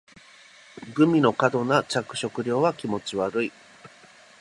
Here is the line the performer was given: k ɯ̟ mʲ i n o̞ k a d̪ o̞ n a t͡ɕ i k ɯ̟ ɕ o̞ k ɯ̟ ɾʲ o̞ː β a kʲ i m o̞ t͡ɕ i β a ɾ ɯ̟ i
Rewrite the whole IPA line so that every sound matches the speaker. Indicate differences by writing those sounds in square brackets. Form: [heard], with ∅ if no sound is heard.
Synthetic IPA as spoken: [ɡ] ɯ̟ mʲ i n o̞ k a d̪ o̞ n a t͡ɕ [a] k ɯ̟ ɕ o̞ k ɯ̟ ɾʲ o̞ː β a kʲ i m o̞ t͡ɕ i β a ɾ ɯ̟ i